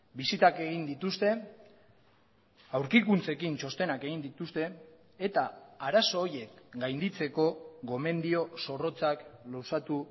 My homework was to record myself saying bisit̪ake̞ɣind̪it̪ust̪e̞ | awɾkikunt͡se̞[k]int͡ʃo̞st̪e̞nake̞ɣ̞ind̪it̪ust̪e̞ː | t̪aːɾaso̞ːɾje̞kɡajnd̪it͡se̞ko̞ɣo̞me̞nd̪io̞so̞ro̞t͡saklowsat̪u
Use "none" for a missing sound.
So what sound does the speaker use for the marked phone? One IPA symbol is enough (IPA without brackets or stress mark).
k